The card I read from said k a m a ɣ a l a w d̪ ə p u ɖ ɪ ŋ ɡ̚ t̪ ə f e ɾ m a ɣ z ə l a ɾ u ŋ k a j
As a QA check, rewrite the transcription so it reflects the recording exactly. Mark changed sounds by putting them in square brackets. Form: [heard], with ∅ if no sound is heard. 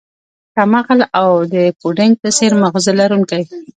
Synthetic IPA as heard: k a m a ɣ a l a w d̪ ə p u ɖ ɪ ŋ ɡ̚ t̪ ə [s] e ɾ m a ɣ z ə l a ɾ u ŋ k a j